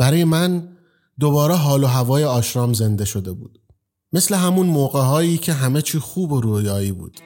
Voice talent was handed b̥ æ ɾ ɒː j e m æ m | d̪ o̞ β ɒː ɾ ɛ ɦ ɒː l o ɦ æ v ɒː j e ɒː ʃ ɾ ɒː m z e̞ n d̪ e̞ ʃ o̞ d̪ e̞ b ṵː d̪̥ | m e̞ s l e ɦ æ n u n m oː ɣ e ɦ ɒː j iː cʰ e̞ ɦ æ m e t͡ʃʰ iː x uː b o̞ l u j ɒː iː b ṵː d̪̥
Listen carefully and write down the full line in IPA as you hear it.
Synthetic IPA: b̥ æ ɾ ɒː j e m æ n | d̪ o̞ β ɒː ɾ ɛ ɦ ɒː l o ɦ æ v ɒː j e ɒː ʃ ɾ ɒː m z e̞ n d̪ e̞ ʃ o̞ d̪ e̞ b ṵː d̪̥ | m e̞ s l e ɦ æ m u n m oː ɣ e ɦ ɒː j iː cʰ e̞ ɦ æ m e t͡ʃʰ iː x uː b o̞ ɾ u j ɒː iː b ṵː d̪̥